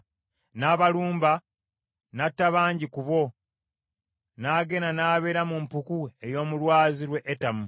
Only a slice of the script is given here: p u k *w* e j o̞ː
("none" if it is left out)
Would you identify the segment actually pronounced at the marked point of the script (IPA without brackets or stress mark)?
u